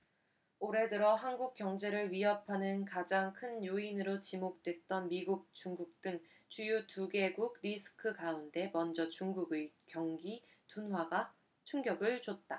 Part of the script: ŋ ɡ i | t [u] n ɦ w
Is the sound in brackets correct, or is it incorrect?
correct